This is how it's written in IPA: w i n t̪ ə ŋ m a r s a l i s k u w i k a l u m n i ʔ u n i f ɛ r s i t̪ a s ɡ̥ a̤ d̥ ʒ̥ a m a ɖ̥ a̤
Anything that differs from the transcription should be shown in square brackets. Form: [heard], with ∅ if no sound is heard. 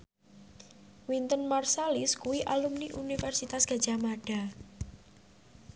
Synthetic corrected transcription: w i n t̪ ə [n] m a r s a l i s k u w i [ʔ] a l u m n i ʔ u n i f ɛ r s i t̪ a s ɡ̥ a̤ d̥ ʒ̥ a m a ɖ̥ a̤